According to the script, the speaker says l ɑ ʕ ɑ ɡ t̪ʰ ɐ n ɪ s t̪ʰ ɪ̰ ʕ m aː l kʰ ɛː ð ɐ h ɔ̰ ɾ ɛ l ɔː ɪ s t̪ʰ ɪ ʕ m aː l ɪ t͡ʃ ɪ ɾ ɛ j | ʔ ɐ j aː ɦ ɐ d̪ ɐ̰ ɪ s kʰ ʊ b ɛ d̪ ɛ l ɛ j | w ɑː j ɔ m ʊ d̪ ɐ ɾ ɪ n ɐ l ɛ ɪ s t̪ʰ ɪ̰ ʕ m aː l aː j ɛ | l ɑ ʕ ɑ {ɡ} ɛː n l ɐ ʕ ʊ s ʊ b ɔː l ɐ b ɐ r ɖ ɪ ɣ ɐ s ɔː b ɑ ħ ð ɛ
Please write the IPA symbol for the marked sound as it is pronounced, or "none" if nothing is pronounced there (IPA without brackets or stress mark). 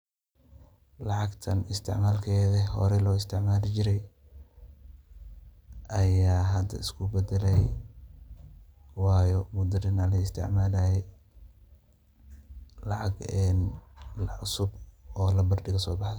ɡ